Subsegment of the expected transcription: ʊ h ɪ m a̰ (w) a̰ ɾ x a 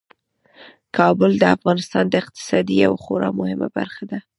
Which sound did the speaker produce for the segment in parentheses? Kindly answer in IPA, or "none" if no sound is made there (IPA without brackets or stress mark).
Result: b